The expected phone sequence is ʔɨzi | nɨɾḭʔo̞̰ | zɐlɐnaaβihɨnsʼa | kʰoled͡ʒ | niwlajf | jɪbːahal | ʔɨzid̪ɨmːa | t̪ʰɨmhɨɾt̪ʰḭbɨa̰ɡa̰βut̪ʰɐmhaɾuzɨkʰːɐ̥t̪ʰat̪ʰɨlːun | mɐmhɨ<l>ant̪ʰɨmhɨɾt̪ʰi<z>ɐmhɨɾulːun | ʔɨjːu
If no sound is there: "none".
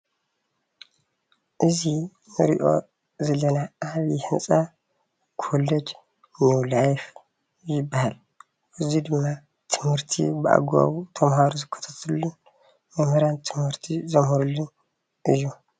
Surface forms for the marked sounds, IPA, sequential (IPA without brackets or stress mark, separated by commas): ɾ, z